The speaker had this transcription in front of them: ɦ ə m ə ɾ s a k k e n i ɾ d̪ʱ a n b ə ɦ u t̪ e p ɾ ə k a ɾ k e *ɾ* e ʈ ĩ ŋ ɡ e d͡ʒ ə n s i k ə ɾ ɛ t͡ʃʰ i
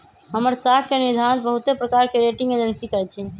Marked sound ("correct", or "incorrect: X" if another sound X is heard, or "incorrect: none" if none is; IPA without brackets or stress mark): correct